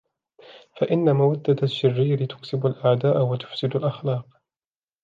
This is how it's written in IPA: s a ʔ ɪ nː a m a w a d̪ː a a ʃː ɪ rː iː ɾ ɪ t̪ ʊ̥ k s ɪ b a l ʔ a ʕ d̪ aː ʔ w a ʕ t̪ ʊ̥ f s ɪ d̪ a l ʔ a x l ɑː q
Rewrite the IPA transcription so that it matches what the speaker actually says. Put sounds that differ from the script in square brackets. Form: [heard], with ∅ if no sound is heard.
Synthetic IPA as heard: [f] a ʔ ɪ nː a m a w a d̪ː a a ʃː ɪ rː iː ɾ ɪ t̪ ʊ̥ k s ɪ b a l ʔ a ʕ d̪ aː ʔ w a [∅] t̪ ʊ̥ f s ɪ d̪ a l ʔ a x l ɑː q